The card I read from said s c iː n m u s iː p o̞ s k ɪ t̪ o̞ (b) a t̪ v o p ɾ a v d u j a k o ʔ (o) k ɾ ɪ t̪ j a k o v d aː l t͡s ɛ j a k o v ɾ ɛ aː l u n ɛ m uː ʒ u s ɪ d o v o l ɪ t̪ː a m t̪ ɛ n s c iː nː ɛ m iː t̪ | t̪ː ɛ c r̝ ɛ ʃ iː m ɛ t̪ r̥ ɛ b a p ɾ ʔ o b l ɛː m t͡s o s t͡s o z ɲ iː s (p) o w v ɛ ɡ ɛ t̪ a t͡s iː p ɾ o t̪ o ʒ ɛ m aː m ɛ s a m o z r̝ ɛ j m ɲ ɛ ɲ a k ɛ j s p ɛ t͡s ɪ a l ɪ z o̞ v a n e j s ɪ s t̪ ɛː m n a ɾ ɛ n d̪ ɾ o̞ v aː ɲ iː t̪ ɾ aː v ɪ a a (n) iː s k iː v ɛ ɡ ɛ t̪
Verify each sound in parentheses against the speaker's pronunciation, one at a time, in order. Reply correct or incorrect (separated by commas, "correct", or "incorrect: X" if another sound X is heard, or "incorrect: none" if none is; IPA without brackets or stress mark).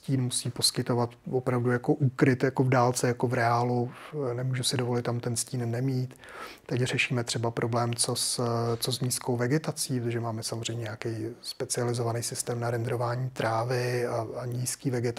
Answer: incorrect: v, incorrect: u, incorrect: k, incorrect: ɲ